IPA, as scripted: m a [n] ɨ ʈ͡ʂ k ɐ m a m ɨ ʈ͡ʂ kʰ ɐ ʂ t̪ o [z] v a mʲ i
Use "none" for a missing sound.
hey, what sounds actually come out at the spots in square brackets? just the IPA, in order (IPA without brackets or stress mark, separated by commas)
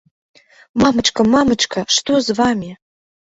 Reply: m, z